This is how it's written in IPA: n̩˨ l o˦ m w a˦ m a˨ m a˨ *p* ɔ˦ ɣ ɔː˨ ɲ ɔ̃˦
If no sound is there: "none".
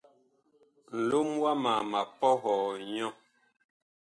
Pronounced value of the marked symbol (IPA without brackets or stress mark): p